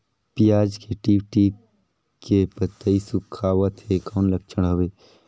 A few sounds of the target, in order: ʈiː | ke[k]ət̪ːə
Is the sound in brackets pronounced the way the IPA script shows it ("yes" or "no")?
no